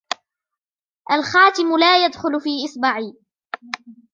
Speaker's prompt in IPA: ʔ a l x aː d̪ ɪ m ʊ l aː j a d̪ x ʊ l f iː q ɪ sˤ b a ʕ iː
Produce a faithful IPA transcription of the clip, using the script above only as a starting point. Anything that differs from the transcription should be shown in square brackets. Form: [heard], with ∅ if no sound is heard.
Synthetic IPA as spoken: ʔ a l x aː [t̪] ɪ m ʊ l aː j a d̪ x ʊ l f iː [ʔ] ɪ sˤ b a ʕ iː